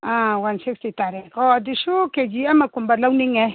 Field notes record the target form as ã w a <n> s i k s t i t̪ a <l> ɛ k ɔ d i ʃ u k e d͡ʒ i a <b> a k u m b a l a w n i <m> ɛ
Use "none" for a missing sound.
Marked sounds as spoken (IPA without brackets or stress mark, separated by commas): n, ɾ, m, ŋ